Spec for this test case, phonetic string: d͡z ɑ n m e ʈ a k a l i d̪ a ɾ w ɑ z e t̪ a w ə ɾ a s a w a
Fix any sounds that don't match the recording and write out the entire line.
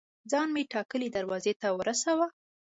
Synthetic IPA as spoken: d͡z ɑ n m e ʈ ɑ k ə l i d̪ a ɾ w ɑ z e t̪ a w ə ɾ a s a w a